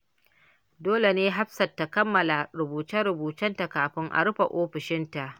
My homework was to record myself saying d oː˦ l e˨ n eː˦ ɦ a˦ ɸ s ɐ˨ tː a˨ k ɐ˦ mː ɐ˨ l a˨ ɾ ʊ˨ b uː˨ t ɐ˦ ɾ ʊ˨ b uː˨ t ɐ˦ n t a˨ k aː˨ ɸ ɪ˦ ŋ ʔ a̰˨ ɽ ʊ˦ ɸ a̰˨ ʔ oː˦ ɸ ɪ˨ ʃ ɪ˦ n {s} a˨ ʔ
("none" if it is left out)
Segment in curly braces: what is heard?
t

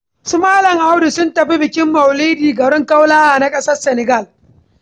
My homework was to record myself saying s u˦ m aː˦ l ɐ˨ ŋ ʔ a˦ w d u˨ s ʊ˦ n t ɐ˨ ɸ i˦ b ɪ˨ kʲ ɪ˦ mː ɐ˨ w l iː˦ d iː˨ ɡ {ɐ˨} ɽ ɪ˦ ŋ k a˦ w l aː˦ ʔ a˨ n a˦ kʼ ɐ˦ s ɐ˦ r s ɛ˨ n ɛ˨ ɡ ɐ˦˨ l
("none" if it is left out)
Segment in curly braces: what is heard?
ɐ˨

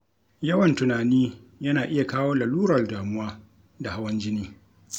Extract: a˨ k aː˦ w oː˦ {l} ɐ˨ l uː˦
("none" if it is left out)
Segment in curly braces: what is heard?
l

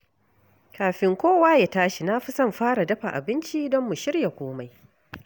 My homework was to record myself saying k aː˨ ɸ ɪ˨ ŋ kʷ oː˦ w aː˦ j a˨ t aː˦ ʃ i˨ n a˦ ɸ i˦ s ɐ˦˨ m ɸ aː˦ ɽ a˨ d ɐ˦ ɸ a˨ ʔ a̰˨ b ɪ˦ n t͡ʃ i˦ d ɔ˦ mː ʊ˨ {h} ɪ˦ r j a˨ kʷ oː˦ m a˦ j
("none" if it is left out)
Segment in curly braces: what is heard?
ʃ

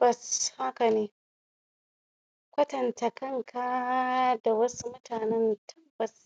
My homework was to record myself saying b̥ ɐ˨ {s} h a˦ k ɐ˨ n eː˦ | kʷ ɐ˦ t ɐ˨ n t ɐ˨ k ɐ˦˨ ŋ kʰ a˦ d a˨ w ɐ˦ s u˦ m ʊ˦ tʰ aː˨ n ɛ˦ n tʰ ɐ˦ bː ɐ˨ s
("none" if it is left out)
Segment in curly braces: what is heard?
s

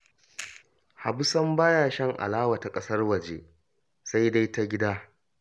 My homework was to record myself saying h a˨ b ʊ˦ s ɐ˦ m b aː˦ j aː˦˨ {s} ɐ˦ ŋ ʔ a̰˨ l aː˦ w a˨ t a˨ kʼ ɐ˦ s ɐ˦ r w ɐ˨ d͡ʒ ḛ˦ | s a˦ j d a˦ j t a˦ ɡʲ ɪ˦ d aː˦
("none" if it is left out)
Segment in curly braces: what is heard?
ʃ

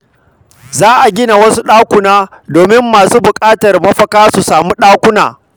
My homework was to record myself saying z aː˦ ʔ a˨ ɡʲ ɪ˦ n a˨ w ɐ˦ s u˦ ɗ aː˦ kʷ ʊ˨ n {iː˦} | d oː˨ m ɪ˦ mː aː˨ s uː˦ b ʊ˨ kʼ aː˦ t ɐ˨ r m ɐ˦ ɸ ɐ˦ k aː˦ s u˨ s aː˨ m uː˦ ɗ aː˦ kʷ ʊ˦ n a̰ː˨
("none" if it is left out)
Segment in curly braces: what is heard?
aː˦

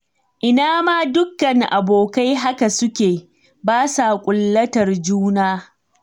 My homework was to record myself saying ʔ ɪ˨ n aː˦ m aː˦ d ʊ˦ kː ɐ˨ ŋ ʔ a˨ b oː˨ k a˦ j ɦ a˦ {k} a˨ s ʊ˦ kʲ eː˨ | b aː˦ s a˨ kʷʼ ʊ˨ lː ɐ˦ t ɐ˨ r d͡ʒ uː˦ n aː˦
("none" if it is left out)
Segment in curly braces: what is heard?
k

